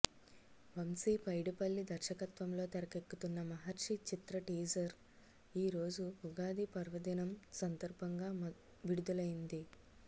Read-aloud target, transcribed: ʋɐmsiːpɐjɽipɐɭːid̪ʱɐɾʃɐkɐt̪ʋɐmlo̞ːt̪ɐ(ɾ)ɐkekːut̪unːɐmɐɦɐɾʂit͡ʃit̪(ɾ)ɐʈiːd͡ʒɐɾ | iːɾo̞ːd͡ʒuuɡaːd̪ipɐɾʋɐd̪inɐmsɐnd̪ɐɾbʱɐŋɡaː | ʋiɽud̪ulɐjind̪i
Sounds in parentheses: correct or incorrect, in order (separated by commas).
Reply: correct, correct